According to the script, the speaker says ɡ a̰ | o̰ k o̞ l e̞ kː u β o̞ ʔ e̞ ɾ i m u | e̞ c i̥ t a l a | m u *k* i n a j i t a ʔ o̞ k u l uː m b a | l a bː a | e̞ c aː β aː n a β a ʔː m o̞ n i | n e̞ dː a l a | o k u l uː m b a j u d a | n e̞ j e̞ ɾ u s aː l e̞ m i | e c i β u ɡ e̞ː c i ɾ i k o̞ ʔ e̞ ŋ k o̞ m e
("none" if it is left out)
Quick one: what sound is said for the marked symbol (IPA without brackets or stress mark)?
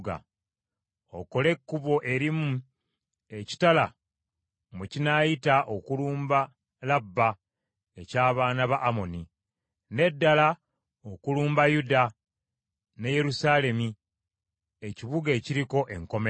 c